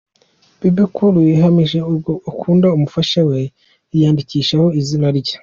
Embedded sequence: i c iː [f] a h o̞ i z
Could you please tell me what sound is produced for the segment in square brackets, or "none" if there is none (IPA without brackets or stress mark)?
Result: ʃ